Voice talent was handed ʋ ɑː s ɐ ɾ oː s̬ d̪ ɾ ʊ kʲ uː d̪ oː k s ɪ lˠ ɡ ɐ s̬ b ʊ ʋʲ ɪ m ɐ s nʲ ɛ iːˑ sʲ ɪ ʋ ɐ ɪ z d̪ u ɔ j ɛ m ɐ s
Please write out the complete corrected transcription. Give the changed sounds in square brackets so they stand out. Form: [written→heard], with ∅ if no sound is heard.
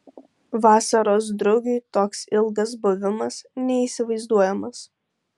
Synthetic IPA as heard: ʋ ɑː s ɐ ɾ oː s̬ d̪ ɾ ʊ [kʲ→ɡʲ] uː [d̪→t̪] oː k s ɪ lˠ ɡ ɐ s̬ b ʊ ʋʲ ɪ m ɐ s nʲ ɛ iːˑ sʲ ɪ ʋ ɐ ɪ z d̪ u ɔ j ɛ m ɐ s